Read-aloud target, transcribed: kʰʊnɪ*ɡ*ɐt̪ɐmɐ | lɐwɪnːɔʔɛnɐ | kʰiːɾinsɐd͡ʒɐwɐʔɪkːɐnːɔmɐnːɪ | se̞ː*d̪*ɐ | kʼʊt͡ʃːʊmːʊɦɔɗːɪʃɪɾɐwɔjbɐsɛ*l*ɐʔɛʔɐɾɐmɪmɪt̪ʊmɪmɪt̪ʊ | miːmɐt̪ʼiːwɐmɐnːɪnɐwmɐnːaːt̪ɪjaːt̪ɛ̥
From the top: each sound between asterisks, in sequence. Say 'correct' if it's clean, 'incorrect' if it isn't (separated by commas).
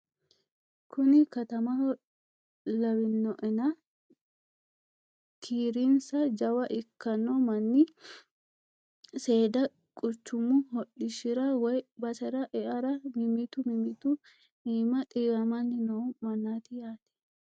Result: incorrect, correct, incorrect